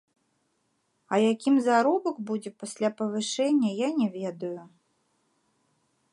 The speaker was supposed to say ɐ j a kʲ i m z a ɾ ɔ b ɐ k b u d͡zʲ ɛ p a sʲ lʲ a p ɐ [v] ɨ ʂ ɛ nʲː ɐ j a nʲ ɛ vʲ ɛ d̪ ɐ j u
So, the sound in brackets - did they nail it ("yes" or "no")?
yes